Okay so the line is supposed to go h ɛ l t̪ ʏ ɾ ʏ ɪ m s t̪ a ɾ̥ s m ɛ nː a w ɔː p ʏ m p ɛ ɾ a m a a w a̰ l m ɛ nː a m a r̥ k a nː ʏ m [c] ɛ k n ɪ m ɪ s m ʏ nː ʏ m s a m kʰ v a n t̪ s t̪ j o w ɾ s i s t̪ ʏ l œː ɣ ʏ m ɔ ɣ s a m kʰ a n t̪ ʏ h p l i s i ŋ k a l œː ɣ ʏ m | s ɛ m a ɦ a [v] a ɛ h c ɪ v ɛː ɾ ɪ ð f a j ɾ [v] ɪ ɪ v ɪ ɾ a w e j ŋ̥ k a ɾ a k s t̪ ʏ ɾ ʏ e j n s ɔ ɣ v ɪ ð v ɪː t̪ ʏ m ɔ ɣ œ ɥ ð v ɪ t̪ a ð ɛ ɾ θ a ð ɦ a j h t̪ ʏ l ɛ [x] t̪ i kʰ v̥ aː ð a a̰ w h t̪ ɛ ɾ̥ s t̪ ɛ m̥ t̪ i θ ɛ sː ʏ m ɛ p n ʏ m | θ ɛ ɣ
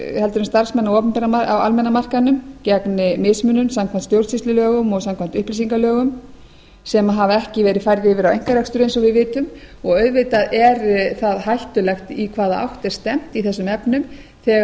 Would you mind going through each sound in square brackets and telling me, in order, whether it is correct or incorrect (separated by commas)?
correct, correct, incorrect, correct